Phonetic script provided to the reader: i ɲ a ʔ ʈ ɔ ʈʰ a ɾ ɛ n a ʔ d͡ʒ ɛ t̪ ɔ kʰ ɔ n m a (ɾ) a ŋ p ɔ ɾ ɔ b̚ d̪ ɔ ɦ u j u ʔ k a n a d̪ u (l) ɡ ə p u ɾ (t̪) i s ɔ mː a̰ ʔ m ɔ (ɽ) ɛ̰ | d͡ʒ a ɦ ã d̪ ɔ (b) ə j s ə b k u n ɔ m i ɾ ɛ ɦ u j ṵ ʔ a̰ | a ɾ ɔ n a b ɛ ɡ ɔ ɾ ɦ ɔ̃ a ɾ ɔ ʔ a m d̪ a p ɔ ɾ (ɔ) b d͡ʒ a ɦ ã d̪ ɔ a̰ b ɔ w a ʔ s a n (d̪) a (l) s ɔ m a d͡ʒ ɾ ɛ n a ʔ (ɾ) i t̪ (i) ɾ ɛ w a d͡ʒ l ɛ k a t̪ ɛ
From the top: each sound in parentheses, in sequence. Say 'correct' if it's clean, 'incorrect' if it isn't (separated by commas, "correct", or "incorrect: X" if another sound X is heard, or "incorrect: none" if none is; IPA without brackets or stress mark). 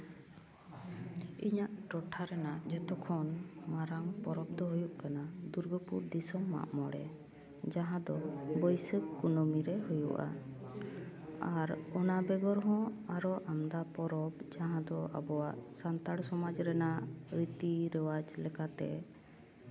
correct, incorrect: ɾ, incorrect: d̪, correct, correct, correct, incorrect: t̪, incorrect: ɽ, correct, correct